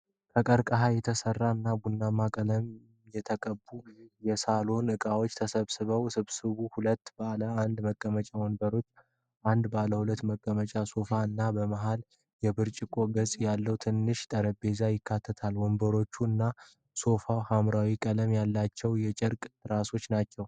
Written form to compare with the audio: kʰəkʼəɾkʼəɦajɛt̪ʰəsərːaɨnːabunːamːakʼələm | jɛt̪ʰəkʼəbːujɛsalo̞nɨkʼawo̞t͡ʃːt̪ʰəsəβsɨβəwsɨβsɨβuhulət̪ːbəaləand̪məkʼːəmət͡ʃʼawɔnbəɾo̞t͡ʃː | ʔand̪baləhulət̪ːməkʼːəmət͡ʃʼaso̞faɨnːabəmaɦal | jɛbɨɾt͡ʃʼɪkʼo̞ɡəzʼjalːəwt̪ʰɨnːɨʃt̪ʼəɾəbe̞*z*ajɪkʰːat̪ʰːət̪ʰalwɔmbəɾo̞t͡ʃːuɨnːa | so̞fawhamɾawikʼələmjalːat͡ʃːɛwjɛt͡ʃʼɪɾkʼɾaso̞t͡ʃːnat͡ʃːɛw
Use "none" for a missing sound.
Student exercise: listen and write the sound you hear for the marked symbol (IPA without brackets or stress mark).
z